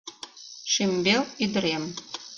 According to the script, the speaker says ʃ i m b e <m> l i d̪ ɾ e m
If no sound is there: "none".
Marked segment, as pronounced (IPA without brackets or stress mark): none